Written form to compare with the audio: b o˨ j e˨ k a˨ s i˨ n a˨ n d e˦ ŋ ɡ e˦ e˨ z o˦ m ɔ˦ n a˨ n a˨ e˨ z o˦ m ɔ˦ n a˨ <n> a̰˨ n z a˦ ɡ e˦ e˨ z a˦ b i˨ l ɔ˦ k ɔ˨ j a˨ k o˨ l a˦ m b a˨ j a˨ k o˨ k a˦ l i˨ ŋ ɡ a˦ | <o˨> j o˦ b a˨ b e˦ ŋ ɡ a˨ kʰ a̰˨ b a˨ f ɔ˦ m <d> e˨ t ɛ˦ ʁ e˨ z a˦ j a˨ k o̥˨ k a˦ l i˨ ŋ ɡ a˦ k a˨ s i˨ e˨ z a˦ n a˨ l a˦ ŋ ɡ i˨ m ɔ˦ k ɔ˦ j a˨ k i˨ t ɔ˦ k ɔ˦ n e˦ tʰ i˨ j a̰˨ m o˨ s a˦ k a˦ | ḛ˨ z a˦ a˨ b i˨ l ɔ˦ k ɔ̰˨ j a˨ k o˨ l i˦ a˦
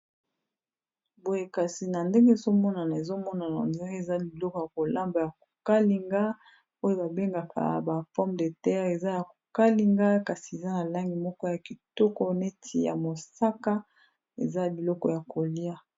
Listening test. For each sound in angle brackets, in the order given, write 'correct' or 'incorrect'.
correct, incorrect: o˦, correct

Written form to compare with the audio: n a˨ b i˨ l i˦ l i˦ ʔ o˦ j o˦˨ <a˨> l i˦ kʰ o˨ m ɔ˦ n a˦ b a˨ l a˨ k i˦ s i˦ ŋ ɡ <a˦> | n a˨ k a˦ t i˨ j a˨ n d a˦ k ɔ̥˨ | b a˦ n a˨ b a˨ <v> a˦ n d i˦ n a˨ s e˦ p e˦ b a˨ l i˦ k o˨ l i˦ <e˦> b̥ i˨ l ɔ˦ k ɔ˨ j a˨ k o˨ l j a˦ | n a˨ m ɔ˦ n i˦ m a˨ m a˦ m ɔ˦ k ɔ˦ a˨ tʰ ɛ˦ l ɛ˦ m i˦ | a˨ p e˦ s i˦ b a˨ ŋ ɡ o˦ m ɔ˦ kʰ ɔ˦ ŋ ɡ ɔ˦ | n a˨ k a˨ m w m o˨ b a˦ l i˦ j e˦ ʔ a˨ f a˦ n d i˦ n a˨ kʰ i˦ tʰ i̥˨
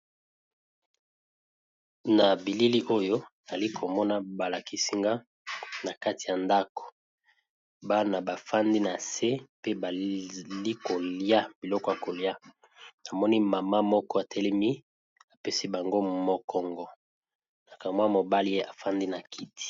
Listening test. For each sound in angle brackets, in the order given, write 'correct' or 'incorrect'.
correct, correct, incorrect: f, incorrect: a˦

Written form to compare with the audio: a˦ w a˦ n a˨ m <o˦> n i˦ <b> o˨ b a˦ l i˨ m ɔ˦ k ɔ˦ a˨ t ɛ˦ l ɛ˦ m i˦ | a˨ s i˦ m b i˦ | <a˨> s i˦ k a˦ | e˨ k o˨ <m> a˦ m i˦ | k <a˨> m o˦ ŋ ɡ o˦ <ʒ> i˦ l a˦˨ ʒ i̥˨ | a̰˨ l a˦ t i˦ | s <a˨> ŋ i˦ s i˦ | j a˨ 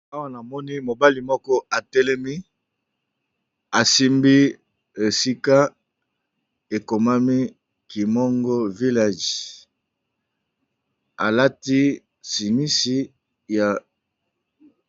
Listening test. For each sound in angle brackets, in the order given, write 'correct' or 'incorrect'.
incorrect: ɔ˦, incorrect: m, incorrect: e˨, correct, incorrect: i˨, incorrect: v, incorrect: i˨

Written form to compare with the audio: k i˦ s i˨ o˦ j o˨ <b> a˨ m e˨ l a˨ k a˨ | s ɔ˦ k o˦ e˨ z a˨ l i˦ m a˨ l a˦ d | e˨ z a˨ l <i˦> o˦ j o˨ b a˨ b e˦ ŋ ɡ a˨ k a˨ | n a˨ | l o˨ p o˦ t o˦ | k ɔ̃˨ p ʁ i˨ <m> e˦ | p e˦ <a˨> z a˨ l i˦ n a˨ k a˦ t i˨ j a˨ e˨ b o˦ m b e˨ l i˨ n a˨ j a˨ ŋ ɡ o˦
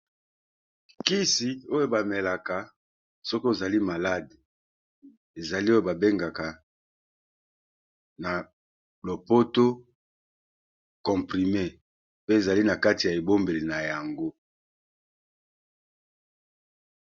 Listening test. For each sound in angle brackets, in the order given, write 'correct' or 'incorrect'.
correct, correct, correct, incorrect: e˨

